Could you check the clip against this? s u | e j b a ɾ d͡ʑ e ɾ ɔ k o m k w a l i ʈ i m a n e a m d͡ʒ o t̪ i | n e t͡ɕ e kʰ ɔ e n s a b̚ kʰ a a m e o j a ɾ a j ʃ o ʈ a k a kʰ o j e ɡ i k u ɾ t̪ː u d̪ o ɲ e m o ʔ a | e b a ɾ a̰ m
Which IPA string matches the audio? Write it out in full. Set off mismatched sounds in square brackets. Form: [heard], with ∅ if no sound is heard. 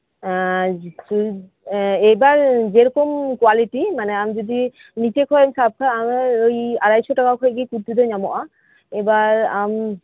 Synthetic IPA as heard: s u | e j b a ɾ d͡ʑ e ɾ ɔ k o m k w a l i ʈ i m a n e a m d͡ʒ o [d̪] i | n [i] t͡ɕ e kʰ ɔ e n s a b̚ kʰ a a m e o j a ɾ a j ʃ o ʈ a k a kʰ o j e ɡ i k u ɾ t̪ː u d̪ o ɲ [a] m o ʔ a | e b a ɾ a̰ m